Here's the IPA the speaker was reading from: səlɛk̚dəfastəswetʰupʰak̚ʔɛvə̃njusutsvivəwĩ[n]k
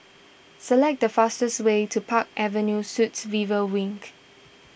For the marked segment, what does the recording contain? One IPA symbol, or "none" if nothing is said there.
ŋ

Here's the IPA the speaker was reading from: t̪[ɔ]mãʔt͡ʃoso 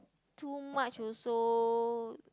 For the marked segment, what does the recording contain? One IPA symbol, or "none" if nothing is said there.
u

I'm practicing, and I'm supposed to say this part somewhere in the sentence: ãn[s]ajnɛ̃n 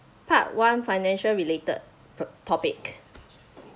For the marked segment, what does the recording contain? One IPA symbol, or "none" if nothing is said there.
f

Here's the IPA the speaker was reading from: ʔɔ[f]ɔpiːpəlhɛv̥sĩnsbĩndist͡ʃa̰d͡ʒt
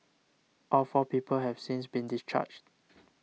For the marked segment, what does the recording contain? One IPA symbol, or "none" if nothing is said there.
f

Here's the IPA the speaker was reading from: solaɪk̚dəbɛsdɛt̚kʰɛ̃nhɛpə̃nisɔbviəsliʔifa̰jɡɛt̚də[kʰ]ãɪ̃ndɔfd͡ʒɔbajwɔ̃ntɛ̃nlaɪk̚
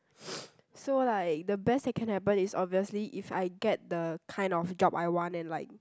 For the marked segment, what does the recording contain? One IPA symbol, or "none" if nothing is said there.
kʰ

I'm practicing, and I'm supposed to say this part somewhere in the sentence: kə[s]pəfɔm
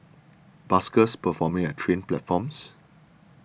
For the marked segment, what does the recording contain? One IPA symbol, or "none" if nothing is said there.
s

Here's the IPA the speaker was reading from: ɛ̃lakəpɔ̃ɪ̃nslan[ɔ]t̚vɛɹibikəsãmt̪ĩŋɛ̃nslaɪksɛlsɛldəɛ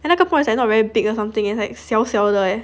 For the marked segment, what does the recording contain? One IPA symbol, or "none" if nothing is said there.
ɔ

